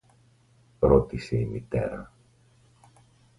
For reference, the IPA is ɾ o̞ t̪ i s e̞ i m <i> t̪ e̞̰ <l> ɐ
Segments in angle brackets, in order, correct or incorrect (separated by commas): correct, incorrect